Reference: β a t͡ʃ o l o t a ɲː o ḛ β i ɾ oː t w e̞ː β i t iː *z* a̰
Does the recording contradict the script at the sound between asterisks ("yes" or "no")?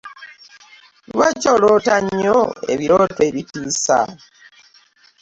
yes